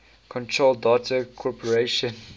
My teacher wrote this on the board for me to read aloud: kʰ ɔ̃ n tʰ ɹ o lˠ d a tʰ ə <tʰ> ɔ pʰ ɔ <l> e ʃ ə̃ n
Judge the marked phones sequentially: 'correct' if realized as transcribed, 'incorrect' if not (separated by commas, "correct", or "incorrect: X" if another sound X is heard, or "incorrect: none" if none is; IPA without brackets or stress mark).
incorrect: kʰ, incorrect: ɹ